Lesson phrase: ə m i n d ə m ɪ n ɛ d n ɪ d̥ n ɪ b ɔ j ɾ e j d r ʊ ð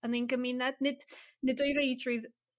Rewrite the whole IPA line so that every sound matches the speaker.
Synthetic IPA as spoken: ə n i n ɡ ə m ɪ n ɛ d n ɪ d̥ n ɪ d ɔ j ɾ e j d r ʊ ð